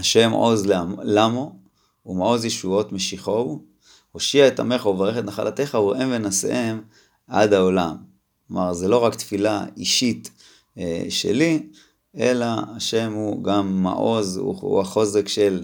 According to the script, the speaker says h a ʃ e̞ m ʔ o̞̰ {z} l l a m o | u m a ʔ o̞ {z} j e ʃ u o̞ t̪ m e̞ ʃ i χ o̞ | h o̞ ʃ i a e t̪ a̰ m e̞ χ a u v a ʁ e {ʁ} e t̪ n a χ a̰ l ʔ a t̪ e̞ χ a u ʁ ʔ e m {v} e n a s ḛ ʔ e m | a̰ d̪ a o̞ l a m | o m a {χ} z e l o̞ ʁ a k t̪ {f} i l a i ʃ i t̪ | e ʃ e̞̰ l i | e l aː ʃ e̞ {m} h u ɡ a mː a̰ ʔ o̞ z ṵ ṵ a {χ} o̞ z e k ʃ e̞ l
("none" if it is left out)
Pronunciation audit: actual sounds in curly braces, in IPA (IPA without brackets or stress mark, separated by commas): z, z, χ, v, ʁ, f, m, χ